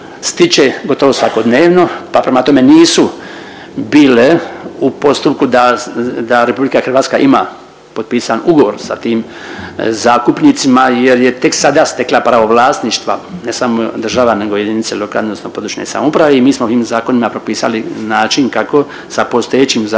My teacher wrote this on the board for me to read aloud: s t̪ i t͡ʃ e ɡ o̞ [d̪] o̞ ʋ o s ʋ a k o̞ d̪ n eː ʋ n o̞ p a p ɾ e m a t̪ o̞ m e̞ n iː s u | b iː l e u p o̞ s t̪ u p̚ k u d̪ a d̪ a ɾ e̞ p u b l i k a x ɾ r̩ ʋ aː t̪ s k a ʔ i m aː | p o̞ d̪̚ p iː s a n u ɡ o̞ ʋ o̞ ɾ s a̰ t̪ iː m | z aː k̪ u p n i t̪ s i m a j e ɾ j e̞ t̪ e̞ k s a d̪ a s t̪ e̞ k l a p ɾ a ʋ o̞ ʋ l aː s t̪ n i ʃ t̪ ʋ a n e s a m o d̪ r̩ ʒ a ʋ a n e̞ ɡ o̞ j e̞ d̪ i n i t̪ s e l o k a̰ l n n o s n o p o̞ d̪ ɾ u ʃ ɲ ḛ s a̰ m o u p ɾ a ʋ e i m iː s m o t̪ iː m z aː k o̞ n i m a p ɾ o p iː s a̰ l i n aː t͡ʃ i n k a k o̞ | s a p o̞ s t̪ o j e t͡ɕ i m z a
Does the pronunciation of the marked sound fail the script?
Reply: yes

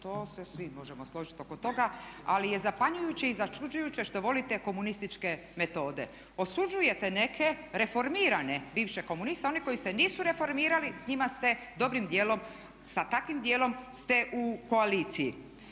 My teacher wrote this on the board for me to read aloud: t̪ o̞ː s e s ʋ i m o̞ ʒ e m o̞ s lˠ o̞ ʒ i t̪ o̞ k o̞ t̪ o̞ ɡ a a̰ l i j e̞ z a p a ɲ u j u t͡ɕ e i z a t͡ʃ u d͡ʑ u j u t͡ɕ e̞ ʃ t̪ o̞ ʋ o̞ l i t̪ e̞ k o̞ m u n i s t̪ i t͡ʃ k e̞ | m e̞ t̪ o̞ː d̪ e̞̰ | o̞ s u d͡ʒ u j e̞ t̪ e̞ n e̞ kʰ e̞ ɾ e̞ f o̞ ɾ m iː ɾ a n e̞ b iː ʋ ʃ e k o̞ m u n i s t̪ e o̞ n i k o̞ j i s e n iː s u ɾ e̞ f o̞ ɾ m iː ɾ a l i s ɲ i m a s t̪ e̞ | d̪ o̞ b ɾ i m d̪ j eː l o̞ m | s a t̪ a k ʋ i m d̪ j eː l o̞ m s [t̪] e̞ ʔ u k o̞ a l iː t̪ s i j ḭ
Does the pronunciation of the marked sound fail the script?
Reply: no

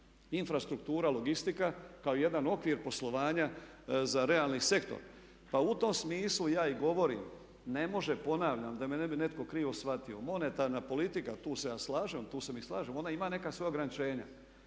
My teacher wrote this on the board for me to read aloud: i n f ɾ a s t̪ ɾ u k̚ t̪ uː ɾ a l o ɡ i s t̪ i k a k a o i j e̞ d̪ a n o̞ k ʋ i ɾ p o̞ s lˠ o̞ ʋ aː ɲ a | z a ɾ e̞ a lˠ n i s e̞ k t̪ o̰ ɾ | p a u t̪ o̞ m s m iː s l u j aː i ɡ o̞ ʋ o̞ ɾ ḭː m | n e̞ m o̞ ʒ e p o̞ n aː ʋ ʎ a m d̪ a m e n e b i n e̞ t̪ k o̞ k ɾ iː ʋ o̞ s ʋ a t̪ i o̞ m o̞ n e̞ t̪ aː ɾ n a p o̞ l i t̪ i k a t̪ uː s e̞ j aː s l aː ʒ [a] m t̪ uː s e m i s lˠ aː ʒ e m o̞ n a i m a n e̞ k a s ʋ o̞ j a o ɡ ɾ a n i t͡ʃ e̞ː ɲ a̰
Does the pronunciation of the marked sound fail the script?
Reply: yes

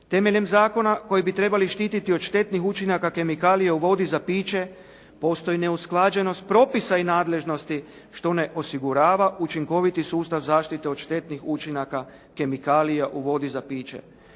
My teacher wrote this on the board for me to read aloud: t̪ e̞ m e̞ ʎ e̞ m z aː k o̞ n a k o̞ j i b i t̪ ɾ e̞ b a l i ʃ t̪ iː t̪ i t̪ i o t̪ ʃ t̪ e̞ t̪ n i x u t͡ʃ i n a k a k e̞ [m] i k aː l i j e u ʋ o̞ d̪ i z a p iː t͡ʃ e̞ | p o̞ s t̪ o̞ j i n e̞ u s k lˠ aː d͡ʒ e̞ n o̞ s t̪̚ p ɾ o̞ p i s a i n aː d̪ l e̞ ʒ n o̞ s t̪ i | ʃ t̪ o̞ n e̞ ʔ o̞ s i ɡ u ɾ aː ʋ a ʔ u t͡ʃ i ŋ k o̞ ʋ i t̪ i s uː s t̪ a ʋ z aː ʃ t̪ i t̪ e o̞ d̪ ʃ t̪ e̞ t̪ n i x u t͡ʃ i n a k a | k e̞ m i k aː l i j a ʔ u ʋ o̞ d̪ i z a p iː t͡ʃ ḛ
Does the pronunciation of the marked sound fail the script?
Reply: no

